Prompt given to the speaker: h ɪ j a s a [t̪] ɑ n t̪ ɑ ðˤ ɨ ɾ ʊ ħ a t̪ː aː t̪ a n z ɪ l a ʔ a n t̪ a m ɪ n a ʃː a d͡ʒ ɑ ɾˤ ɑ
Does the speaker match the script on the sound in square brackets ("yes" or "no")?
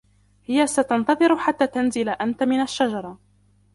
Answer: yes